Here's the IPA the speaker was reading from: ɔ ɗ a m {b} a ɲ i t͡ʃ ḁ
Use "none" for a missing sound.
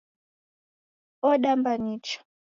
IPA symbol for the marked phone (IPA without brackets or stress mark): b